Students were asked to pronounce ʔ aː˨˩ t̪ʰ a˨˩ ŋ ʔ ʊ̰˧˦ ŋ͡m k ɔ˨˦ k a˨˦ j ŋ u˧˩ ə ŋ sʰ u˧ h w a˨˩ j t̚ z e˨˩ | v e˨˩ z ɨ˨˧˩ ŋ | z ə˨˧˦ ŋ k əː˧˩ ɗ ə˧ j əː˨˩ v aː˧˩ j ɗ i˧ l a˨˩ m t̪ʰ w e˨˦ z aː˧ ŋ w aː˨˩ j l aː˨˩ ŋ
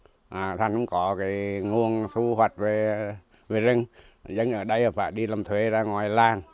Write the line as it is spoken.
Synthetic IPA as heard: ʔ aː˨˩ t̪ʰ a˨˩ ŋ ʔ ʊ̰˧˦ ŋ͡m k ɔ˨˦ k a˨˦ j ŋ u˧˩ ə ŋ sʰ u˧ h w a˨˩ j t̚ v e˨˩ | v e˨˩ z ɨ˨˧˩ ŋ | z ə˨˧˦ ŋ ʔ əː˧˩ ɗ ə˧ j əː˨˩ f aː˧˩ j ɗ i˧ l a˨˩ m t̪ʰ w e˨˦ z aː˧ ŋ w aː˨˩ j l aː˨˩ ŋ